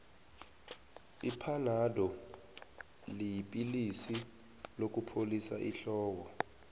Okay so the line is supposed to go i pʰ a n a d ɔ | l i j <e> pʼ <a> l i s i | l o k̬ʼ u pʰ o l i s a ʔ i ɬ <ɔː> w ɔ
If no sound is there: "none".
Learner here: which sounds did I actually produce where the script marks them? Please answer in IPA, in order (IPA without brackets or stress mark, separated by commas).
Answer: i, i, ɔː